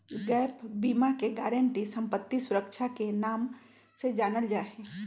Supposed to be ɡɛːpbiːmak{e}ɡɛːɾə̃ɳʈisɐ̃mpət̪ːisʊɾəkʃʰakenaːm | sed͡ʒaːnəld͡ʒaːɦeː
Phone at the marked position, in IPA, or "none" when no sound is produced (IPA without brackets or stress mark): e